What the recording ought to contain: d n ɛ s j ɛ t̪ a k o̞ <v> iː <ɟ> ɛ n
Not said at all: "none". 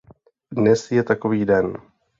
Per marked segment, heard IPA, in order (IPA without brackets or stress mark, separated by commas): v, d